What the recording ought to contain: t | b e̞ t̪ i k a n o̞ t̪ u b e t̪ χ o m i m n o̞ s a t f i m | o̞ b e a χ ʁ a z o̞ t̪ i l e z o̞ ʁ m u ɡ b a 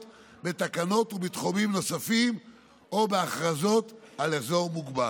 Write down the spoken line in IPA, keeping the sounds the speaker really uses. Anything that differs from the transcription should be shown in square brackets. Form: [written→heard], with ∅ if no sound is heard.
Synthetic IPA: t | b e̞ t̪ [i→a] k a n o̞ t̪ u b [e→i] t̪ χ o m i m n o̞ s a [t→∅] f i m | o̞ b e a χ ʁ a z o̞ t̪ [i→a] l e z o̞ ʁ m u ɡ b a